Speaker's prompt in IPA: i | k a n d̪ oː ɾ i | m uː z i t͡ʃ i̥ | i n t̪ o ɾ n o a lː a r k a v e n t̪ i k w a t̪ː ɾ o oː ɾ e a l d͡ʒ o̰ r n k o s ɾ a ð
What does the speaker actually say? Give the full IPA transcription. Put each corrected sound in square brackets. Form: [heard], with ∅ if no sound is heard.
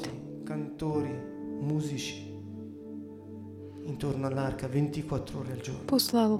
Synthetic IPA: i | k a n [t̪] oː ɾ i | m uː z i t͡ʃ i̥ | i n t̪ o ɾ n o a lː a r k a v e n t̪ i k w a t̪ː ɾ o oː ɾ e a l d͡ʒ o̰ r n [p] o s [l] a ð